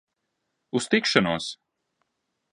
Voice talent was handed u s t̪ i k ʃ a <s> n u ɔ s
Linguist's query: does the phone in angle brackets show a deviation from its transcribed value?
yes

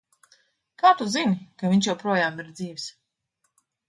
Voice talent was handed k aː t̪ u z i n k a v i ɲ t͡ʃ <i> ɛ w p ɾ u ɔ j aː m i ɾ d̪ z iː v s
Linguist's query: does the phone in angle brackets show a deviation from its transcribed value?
yes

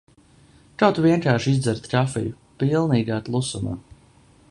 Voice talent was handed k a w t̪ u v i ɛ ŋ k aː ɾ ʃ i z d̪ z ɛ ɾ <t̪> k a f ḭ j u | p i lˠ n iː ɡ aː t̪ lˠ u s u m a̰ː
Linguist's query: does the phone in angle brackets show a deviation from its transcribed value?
no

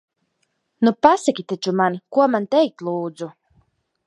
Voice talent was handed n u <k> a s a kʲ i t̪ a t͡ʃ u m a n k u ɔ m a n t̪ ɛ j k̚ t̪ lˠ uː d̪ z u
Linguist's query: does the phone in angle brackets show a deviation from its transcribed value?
yes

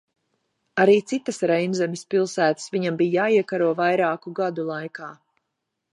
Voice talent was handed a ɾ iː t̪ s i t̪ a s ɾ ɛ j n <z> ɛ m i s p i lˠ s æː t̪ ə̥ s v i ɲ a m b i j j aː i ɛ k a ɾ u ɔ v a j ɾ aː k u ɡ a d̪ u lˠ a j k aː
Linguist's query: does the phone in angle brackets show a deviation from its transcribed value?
no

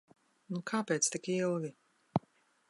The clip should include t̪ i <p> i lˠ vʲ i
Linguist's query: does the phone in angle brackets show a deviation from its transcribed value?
yes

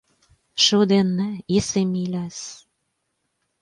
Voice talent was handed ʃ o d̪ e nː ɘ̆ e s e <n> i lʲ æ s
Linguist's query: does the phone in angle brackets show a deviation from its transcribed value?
yes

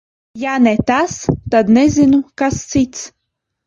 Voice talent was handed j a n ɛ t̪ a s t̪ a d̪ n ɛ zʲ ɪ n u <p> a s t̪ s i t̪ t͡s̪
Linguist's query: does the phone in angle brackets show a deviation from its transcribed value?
yes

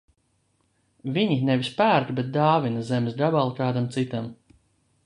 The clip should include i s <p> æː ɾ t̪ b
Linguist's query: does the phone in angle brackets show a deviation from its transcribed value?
no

